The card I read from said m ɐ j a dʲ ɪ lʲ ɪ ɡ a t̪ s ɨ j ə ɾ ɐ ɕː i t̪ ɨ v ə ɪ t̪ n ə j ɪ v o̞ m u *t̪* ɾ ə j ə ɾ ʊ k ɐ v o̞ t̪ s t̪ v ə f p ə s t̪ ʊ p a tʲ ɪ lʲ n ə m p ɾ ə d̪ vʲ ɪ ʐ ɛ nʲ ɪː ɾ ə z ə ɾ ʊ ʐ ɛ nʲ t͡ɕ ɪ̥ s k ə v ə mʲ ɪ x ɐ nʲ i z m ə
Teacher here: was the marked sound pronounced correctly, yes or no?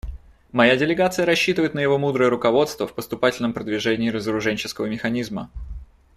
no